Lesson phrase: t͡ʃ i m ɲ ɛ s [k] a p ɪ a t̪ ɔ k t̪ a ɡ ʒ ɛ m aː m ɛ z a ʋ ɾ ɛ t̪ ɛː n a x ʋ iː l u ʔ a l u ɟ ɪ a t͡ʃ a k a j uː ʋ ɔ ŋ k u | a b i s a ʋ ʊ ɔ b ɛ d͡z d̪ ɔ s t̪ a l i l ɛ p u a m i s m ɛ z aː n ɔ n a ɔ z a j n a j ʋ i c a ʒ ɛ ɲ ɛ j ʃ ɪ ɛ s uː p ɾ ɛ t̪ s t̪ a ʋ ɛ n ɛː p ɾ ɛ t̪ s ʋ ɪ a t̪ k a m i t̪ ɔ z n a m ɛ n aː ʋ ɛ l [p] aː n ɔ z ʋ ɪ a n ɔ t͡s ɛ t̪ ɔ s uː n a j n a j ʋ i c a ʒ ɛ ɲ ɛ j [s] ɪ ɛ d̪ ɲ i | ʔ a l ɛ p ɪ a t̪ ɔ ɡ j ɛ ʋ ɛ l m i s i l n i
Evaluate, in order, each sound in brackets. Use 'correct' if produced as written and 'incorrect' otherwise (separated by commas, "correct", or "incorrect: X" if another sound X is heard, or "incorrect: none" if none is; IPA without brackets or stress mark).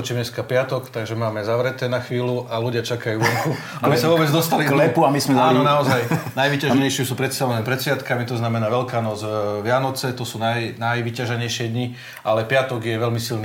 correct, incorrect: k, incorrect: ʃ